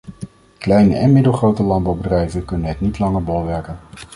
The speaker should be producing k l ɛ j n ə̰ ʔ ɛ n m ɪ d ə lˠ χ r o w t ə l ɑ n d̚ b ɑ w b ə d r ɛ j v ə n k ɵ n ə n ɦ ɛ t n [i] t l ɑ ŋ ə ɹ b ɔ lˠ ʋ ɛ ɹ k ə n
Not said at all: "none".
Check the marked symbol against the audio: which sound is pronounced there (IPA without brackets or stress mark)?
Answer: i